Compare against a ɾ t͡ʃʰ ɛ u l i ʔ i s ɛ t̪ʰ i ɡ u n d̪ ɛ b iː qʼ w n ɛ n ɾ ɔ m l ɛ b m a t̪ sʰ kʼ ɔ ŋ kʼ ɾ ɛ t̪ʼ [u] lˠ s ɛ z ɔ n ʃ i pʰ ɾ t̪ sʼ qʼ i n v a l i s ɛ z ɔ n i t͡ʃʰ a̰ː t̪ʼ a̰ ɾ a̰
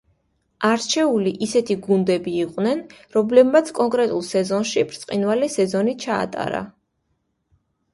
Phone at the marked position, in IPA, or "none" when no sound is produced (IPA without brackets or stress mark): u